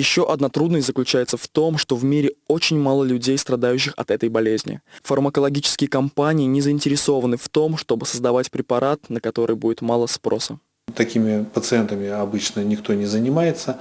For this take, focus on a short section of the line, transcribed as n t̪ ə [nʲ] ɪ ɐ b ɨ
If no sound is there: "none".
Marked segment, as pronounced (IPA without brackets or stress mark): mʲ